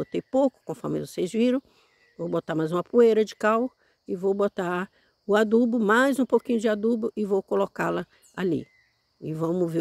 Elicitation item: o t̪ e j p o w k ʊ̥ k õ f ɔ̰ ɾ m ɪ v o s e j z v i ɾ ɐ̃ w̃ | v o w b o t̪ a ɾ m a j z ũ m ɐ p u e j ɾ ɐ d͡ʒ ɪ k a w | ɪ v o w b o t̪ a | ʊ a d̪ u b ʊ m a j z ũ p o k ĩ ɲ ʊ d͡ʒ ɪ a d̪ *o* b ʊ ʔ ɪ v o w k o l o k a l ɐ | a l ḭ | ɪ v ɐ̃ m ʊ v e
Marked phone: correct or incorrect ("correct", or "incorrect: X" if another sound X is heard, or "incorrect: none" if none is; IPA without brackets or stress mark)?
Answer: incorrect: u